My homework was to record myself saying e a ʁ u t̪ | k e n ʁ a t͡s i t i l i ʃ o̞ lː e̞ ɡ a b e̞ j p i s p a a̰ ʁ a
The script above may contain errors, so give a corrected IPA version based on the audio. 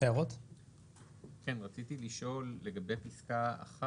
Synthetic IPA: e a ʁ o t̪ | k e n ʁ a t͡s i t i l i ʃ o̞ lː e̞ ɡ a b e̞ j p i s k a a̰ χ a

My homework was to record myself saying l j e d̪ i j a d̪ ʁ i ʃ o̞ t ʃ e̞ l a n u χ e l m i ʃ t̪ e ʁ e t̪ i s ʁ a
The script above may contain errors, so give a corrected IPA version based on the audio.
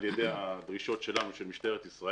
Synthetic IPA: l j e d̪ e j a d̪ ʁ i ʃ o̞ t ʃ e̞ l a n u ʃ e l m i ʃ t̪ e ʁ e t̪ i s ʁ a

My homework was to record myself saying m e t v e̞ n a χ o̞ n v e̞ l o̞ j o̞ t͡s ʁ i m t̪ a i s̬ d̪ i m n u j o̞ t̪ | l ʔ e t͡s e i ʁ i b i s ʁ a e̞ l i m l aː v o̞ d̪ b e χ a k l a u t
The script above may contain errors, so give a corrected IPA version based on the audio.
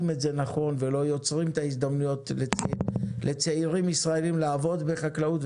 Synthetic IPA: m e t z e̞ n a χ o̞ n v e̞ l o̞ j o̞ t͡s ʁ i m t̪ a i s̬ d̪ a m n u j o̞ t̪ | l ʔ e t͡s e i ʁ i m i s ʁ a e̞ l i m l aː v o̞ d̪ b e χ a k l a u t

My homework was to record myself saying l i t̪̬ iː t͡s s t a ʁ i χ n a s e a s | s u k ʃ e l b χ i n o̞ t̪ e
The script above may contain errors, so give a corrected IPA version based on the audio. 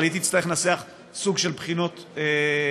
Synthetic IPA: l i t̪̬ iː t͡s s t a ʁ e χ n a s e a χ | s u ɡ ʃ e l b χ i n o̞ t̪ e

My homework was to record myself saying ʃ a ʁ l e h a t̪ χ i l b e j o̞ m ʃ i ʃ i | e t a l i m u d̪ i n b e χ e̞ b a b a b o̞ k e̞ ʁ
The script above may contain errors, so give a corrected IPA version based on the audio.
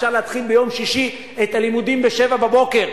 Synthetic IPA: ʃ a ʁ l e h a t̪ χ i l b e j o̞ m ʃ i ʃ i | e t a l i m u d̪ i m b e ʃ e̞ v a b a b o̞ k e̞ ʁ

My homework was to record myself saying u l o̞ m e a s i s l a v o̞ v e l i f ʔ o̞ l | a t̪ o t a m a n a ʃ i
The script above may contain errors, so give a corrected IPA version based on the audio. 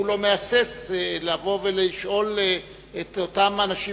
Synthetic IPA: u l o̞ m e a s e s l a v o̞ v e l i ʃ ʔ o̞ l | e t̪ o t a m a n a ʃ i

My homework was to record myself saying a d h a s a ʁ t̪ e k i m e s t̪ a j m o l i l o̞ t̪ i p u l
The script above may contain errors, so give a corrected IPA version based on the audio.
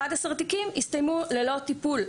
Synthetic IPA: a d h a s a ʁ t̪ i k i m i s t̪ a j m u l e l o̞ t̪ i p u l

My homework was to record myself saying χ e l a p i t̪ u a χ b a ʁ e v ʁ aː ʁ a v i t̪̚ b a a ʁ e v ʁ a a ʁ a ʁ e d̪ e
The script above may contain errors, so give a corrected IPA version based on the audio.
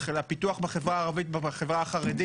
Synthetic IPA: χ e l a p i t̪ u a χ b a χ e v ʁ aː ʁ a v i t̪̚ b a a χ e v ʁ a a χ a ʁ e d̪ i

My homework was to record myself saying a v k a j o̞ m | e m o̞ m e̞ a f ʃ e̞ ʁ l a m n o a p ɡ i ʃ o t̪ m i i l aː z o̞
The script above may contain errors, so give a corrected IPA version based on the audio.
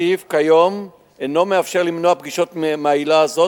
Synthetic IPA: i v k a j o̞ m | e n o̞ m e̞ a f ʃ e̞ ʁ l i m n o a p ɡ i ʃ o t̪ m a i l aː z o̞

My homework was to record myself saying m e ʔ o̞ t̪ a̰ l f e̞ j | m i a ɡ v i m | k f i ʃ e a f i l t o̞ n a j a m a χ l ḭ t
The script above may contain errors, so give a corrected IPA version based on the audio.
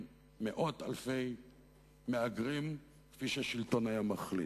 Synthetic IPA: m e ʔ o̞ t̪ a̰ l f e̞ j | m e a ɡ ʁ i m | k f i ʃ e a ʃ i l t o̞ n a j a m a χ l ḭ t

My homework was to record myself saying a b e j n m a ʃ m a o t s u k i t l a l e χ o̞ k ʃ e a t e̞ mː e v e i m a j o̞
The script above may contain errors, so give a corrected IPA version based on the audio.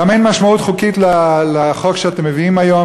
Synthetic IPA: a m e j n m a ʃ m a u t χ u k i t l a l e χ o̞ k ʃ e a t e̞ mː e v i i m a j o̞

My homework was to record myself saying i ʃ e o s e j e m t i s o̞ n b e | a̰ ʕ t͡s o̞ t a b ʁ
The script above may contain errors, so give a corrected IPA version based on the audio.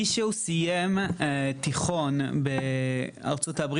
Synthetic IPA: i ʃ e u s i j e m t i χ o̞ n b e | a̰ ʁ t͡s o̞ t a b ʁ

